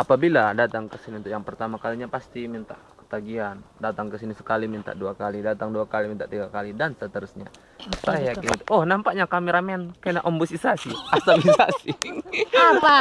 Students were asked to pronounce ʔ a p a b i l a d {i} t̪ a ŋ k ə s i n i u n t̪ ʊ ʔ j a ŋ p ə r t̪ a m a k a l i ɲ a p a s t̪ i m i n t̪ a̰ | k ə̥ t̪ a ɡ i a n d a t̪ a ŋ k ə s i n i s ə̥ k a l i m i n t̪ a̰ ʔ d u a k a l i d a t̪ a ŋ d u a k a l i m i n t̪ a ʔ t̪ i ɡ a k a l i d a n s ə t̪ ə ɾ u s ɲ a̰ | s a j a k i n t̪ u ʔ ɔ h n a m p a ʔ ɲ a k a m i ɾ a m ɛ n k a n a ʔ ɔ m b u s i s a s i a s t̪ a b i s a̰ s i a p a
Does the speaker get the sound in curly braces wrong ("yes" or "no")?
yes